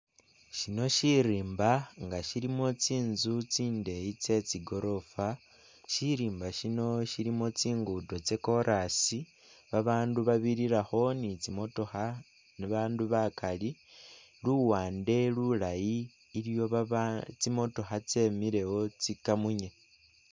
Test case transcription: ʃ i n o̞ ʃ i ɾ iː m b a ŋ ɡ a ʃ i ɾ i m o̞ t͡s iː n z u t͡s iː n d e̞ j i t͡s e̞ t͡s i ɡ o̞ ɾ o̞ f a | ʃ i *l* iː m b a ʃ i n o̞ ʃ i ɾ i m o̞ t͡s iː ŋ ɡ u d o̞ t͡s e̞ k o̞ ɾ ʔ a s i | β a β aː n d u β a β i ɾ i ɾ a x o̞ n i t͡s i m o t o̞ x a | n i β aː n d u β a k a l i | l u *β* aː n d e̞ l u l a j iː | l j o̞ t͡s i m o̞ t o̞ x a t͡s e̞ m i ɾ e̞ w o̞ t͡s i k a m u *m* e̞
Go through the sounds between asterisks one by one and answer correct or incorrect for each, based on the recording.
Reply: incorrect: ɾ, incorrect: w, incorrect: ɲ

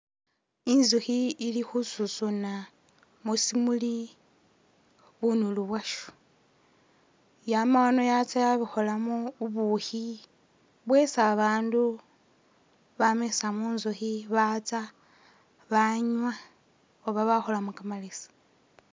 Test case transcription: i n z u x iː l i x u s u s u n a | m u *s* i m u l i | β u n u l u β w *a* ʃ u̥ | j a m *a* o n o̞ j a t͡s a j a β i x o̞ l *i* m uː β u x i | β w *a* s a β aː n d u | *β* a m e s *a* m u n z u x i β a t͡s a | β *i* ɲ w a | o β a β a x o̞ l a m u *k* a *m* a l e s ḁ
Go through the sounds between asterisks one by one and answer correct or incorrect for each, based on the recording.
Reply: correct, correct, correct, incorrect: a, incorrect: e, correct, correct, incorrect: a, correct, correct

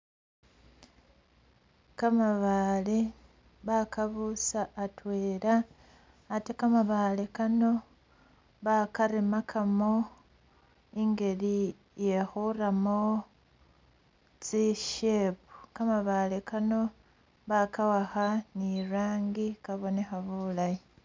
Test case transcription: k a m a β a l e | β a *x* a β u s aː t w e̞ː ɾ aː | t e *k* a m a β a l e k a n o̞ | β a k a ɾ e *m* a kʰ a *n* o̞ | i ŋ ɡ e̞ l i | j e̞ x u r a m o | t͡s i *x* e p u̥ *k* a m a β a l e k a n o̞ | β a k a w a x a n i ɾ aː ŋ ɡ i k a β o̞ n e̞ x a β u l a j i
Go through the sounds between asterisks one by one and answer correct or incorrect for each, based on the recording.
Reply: incorrect: k, correct, correct, incorrect: m, incorrect: ʃ, correct

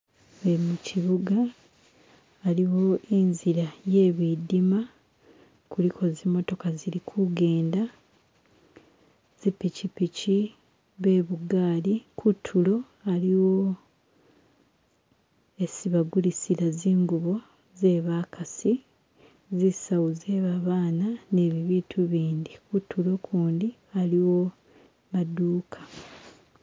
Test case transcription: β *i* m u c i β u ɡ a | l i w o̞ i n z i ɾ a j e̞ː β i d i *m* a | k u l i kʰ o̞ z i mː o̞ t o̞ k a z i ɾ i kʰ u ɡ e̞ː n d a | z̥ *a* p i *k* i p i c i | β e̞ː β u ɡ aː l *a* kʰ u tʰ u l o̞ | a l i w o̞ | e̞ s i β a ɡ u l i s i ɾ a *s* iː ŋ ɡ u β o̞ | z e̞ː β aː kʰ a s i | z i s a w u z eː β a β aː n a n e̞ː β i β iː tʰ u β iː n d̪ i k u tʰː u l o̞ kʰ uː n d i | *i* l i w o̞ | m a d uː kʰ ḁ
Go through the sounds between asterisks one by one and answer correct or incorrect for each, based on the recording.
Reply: incorrect: e, correct, incorrect: i, incorrect: c, incorrect: i, incorrect: z, incorrect: a

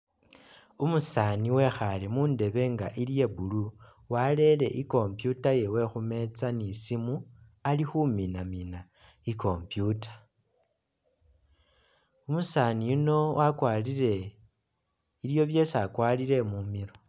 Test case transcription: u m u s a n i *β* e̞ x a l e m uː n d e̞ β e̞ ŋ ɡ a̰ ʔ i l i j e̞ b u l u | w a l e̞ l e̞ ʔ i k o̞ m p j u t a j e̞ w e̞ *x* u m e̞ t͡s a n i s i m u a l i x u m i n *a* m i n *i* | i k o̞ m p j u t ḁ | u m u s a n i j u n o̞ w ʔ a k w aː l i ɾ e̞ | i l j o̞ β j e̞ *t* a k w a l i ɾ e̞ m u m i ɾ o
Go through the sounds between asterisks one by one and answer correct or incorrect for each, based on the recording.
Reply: incorrect: w, correct, correct, incorrect: a, incorrect: s

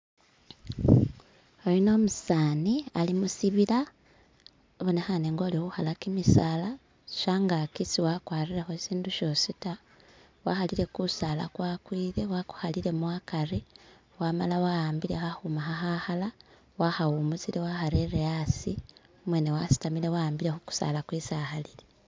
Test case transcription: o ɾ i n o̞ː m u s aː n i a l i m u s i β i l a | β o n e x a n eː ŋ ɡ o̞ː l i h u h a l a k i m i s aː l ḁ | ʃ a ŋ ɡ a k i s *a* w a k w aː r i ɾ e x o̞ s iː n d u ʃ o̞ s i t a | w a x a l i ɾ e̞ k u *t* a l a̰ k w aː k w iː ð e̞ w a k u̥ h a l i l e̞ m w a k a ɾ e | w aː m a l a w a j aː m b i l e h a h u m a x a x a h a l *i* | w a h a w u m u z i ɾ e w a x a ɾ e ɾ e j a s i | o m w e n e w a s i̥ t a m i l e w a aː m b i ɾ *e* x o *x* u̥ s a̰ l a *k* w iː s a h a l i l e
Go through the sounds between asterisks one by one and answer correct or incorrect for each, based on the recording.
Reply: incorrect: i, incorrect: s, incorrect: a, correct, incorrect: k, correct

